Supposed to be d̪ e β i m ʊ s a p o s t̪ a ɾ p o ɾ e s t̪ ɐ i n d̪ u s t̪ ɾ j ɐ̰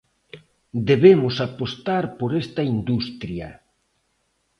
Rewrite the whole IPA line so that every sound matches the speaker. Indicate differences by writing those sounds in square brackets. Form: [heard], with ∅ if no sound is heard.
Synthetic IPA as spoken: d̪ e β [e] m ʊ s a p o s t̪ a ɾ p o ɾ e s t̪ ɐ i n d̪ u s t̪ ɾ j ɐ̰